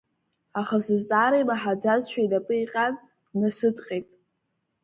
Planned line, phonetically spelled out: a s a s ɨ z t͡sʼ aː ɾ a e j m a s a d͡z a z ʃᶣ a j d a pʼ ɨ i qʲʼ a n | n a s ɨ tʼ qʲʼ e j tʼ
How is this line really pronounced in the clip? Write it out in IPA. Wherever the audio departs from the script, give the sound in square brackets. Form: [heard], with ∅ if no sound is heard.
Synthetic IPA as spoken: a [χ] a s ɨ z t͡sʼ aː ɾ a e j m a [ħ] a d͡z a z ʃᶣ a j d a pʼ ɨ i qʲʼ a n | n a s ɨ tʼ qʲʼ e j tʼ